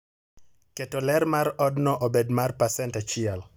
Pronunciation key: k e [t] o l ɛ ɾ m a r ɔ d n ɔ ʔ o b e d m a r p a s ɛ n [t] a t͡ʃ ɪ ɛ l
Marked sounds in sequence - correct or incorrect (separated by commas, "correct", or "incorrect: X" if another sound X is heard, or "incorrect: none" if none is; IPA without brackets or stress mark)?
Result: correct, correct